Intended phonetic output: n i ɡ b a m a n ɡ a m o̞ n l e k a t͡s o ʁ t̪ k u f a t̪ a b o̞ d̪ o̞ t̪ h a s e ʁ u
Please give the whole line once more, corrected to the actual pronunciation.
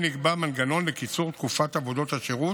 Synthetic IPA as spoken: n i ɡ b a m a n ɡ a n o̞ n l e k i t͡s u ʁ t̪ k u f a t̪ a v o̞ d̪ o̞ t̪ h a ʃ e ʁ u